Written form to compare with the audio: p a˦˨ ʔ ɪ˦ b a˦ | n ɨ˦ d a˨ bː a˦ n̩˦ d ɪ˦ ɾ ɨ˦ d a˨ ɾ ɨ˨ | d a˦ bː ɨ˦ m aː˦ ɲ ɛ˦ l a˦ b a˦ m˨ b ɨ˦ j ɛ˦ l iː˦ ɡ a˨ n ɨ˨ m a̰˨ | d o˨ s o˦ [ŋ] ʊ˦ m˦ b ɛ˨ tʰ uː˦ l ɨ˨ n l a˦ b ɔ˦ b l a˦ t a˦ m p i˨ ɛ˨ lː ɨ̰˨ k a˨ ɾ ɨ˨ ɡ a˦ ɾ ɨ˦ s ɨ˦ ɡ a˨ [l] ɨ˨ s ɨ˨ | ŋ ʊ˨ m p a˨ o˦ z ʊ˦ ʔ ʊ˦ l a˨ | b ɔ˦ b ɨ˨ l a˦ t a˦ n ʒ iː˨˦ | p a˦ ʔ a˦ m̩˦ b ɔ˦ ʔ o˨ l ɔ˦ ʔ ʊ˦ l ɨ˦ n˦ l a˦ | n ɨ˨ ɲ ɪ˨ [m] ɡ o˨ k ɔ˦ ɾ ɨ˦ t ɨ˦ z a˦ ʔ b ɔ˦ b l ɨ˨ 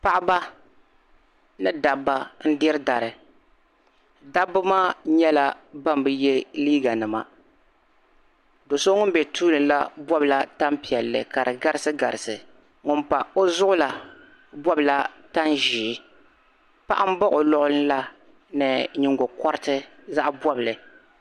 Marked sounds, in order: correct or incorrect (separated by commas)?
correct, incorrect, incorrect